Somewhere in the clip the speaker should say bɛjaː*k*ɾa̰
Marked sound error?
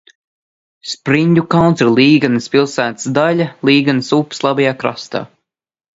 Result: no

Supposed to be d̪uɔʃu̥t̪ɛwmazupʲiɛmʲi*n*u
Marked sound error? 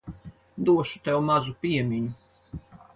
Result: yes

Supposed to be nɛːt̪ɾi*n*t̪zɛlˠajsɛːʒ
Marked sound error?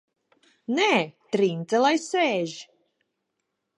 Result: no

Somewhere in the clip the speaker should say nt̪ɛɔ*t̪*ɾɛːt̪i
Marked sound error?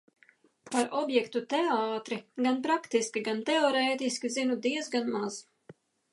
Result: yes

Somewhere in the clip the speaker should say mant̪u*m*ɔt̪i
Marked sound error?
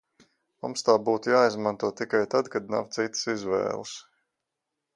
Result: yes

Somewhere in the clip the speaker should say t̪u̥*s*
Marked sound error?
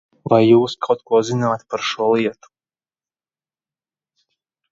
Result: yes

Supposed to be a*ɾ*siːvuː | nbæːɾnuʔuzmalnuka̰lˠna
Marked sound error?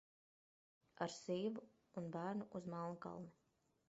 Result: no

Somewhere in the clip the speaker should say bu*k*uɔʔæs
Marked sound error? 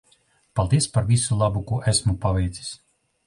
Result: no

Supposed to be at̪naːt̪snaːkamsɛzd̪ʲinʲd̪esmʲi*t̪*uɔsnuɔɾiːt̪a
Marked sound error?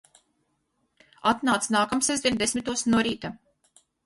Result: no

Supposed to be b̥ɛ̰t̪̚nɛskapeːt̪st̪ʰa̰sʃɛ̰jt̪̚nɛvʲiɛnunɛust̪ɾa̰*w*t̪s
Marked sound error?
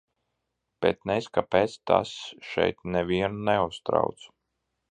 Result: no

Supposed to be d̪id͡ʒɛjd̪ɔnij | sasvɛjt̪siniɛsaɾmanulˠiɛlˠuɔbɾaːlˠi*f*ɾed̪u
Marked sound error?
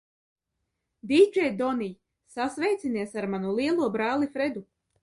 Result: no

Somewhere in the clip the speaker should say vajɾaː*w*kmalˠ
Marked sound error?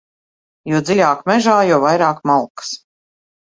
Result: yes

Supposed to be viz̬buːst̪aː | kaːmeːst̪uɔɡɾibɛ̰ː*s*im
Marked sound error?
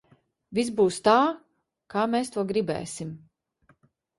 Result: no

